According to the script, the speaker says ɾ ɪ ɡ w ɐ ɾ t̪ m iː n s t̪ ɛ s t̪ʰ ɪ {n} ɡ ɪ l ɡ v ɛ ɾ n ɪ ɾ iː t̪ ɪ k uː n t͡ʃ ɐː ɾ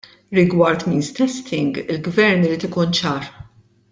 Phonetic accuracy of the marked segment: incorrect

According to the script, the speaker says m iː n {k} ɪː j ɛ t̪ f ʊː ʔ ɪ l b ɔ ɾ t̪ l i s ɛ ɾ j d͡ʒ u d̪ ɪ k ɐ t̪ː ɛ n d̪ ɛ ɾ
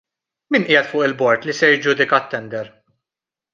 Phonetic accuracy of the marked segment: incorrect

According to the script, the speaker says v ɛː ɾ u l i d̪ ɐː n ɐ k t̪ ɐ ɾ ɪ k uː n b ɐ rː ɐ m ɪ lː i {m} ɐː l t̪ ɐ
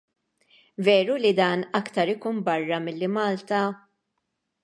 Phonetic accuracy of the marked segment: correct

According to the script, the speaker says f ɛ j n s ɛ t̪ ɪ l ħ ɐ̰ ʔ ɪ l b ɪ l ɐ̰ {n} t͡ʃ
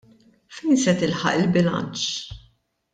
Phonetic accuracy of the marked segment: correct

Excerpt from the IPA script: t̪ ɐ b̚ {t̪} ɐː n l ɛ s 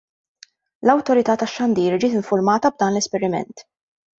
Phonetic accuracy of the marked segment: incorrect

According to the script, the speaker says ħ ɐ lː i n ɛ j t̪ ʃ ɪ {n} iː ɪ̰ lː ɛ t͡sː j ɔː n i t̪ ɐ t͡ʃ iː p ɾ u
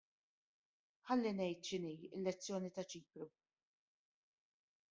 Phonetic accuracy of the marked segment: correct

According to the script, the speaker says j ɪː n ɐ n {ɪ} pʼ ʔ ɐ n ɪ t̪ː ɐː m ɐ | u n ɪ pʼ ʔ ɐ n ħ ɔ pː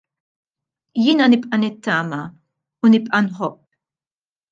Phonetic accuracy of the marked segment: correct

